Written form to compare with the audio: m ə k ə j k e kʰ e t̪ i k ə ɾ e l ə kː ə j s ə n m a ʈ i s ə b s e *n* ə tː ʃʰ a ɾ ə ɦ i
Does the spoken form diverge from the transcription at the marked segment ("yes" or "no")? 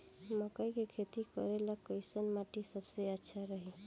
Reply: yes